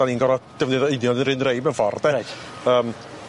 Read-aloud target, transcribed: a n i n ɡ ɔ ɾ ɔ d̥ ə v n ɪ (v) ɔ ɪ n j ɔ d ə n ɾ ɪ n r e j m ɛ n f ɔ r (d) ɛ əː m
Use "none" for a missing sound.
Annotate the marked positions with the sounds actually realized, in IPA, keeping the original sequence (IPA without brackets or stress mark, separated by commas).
ð, d